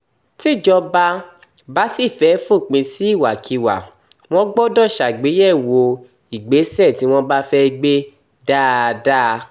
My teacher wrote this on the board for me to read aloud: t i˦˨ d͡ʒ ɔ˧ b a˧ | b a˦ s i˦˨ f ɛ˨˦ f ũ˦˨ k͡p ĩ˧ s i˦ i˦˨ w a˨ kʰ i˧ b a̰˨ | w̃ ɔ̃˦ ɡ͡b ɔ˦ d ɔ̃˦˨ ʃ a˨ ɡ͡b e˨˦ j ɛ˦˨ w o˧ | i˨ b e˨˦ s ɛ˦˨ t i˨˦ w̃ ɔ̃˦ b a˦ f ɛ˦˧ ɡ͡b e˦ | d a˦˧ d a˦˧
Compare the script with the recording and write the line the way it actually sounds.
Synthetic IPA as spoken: t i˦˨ d͡ʒ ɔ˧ b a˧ | b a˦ s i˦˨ f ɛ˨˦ f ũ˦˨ k͡p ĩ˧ s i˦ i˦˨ w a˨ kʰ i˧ w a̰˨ | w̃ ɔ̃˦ ɡ͡b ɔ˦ d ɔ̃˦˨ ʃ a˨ ɡ͡b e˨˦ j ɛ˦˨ w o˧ | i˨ ɡ͡b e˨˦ s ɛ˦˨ t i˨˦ w̃ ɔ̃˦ b a˦ f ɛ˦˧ ɡ͡b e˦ | d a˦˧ d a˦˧